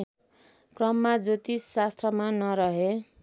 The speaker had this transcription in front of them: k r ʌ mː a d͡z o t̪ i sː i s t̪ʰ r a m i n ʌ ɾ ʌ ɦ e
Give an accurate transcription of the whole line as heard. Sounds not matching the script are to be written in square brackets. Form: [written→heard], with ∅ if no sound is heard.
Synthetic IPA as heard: k r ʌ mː a d͡z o t̪ i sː [i→a] s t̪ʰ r [a→ʌ] m [i→a] n ʌ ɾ ʌ ɦ e